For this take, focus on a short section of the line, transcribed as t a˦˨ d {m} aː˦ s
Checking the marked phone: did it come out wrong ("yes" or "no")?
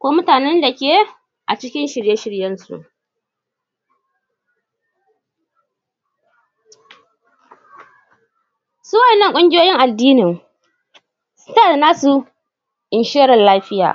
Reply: yes